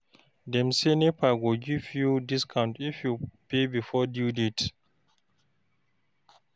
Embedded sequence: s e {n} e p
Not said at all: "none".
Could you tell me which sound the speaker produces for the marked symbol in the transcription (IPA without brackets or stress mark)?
n